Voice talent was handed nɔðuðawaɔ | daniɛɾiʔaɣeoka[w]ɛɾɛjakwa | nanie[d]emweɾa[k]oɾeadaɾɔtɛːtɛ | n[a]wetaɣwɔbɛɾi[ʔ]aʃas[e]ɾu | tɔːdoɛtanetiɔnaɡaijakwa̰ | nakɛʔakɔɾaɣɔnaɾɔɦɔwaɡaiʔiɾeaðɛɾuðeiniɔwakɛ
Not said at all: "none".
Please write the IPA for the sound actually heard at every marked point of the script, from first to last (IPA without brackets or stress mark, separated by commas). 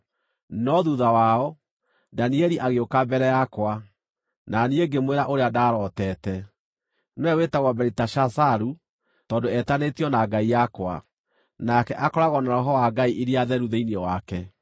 b, ɡ, ʔ, ɛ, t, a